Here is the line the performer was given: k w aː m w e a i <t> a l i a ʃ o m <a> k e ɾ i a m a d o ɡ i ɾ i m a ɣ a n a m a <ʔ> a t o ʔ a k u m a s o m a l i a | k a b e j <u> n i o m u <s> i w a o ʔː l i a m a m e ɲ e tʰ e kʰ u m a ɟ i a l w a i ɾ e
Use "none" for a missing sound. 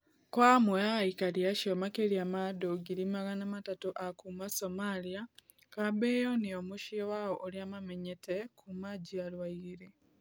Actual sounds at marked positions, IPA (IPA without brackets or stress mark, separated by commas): k, a, t, o, ʃ